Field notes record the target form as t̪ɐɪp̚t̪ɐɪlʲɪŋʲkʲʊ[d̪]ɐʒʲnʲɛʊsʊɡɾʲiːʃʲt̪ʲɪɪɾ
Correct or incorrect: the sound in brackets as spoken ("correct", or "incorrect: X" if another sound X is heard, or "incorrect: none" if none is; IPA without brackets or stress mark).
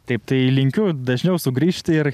correct